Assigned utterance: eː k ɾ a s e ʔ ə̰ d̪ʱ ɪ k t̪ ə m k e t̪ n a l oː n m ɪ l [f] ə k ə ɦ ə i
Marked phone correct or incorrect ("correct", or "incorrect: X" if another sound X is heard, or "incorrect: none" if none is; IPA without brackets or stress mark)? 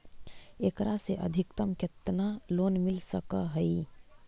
incorrect: s